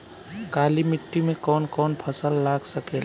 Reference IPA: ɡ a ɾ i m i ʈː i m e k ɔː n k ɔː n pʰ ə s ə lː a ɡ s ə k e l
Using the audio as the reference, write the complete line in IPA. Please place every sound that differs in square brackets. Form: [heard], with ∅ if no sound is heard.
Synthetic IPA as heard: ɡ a [l] i m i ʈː i m e k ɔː n k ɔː n pʰ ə s ə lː a ɡ s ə k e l